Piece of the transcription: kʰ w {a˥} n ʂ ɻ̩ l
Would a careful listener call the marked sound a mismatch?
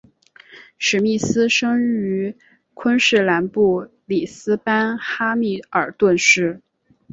yes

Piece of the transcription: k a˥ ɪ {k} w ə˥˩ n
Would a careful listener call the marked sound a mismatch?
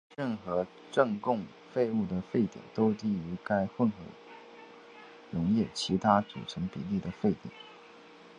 yes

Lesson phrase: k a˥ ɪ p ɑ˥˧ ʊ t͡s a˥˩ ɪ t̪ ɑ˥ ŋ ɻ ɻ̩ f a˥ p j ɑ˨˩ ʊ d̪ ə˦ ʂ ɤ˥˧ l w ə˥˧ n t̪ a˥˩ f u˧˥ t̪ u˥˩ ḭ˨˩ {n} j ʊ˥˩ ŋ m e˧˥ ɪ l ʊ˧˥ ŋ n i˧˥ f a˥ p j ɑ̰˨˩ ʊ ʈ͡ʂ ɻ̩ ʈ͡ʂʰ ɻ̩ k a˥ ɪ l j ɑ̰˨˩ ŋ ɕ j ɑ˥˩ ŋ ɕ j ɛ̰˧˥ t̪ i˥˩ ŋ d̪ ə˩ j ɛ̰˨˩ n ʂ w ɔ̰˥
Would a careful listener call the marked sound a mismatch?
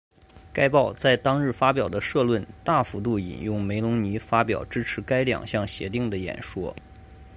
no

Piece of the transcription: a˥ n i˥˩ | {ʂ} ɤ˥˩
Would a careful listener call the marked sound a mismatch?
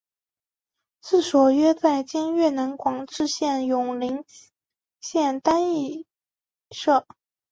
no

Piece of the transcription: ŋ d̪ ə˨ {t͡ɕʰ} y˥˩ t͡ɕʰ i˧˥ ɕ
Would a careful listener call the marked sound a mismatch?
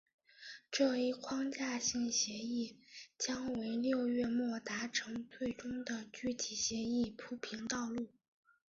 yes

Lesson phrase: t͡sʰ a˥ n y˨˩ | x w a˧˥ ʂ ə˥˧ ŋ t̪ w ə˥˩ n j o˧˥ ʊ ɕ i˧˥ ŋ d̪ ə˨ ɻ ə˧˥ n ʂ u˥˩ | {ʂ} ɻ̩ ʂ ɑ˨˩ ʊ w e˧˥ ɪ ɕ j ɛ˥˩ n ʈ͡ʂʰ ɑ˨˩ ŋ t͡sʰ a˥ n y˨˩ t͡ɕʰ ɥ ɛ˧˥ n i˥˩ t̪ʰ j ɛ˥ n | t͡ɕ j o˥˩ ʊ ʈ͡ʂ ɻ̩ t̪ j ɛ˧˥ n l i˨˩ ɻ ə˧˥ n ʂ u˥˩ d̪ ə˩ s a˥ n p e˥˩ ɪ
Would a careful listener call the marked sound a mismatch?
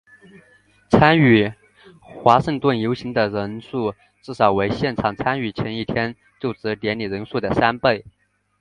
yes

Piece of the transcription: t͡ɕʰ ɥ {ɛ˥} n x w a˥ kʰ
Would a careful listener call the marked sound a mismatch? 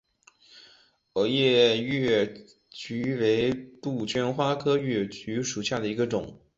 no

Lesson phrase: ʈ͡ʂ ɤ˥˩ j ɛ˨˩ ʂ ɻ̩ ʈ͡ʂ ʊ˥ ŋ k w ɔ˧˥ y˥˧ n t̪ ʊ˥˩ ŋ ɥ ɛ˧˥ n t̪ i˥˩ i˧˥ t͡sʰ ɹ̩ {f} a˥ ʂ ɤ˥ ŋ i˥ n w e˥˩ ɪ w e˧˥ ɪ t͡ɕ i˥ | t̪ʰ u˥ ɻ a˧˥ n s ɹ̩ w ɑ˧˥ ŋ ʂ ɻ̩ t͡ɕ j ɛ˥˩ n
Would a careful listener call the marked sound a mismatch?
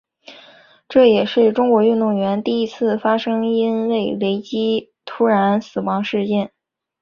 no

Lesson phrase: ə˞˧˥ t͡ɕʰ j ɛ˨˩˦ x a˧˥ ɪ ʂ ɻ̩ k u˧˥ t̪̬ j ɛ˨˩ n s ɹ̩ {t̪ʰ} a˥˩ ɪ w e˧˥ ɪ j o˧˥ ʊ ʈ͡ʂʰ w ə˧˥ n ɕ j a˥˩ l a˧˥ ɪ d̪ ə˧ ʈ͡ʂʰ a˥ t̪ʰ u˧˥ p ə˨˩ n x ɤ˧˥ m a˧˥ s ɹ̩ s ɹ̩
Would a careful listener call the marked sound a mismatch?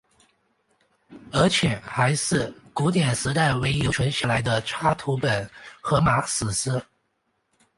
yes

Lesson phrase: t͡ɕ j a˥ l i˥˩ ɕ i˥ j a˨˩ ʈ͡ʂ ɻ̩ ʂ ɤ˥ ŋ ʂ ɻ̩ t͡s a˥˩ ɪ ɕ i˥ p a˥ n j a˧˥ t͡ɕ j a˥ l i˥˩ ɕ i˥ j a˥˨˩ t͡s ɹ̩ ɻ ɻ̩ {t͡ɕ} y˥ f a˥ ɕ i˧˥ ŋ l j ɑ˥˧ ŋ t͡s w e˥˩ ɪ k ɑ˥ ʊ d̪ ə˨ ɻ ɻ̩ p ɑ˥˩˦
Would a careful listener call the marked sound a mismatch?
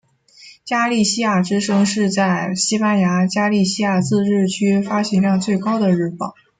yes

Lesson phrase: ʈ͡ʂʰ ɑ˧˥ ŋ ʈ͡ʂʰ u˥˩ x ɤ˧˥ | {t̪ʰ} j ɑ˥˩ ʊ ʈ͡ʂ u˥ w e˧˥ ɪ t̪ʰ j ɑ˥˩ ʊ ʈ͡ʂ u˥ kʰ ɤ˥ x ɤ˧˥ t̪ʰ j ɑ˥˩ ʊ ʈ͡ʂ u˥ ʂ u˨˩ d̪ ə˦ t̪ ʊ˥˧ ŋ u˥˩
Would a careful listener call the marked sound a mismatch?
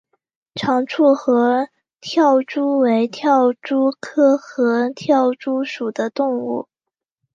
no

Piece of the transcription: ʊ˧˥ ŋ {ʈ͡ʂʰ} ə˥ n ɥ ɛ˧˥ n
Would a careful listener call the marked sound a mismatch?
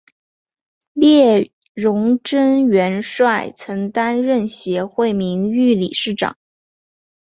yes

